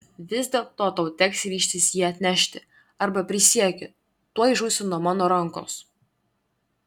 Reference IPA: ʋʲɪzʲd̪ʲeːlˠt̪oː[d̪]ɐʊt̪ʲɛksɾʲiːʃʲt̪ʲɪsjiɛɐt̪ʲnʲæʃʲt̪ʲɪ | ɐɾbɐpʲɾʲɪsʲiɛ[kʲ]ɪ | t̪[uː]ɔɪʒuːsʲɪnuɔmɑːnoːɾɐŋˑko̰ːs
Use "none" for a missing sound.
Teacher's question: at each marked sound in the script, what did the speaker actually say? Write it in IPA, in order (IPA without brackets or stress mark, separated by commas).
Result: t̪, kʲ, u